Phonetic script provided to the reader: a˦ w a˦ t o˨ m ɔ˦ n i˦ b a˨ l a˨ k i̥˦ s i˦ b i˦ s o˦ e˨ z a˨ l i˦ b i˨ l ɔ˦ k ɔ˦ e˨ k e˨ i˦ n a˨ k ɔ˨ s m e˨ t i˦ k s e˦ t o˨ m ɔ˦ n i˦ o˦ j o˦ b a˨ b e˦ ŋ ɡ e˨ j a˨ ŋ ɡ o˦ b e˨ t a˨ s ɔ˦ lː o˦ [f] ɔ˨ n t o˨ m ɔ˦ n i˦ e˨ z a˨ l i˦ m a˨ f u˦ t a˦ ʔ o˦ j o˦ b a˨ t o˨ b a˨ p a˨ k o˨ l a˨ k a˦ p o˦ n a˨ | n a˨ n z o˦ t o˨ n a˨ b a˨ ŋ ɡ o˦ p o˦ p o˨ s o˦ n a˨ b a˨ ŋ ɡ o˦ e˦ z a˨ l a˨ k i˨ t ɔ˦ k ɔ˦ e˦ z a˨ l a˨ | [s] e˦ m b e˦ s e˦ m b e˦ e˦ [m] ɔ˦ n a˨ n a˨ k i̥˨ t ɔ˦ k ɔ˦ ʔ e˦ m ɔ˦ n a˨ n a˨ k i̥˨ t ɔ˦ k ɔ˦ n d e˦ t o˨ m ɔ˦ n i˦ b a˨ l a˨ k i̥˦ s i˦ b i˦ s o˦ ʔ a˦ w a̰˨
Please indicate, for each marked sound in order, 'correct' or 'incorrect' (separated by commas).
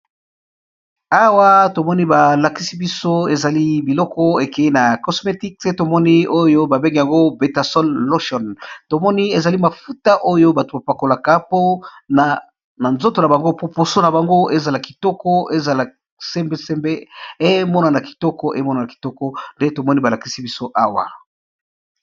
incorrect, correct, correct